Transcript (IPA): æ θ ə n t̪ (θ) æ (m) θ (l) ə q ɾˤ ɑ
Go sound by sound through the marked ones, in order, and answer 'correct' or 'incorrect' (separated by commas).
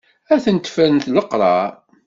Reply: incorrect, incorrect, correct